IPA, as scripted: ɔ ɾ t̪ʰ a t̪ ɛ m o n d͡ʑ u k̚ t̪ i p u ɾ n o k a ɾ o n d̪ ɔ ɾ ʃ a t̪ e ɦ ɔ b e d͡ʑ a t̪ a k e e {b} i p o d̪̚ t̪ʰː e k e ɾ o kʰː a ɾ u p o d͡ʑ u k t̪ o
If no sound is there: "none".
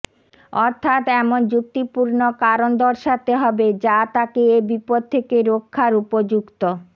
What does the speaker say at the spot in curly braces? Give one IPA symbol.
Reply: b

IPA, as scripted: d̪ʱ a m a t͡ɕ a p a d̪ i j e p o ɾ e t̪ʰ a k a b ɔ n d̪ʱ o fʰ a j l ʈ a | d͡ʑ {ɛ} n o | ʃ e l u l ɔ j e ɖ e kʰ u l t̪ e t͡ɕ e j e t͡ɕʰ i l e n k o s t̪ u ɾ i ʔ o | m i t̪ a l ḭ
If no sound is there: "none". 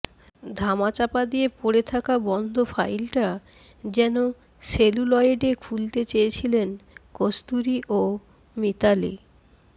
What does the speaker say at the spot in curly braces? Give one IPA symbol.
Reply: ɛ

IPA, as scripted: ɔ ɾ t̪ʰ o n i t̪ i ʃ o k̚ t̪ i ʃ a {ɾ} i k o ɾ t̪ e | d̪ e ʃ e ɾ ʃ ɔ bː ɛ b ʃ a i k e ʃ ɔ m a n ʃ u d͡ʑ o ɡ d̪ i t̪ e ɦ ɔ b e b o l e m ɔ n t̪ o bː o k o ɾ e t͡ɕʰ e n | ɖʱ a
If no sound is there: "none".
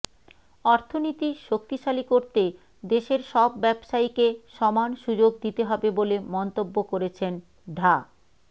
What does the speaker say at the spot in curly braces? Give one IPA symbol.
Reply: l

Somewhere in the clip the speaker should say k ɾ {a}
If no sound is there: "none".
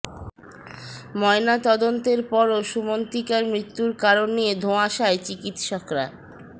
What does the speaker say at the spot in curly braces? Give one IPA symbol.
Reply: a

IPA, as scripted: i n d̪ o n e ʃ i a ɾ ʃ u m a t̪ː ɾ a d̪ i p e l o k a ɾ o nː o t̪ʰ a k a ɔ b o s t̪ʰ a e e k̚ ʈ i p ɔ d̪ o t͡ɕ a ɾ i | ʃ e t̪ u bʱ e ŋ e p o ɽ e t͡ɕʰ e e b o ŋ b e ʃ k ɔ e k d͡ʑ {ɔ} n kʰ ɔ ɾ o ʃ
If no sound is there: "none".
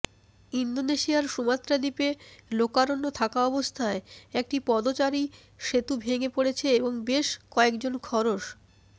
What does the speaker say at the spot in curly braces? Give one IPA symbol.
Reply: o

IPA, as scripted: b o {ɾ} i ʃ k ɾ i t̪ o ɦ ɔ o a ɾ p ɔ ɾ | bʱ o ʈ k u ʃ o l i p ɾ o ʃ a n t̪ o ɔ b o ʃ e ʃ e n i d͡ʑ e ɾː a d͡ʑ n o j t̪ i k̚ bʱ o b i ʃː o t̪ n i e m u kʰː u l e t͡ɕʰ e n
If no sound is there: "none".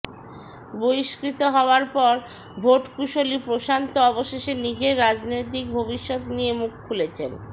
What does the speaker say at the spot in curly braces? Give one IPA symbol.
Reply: none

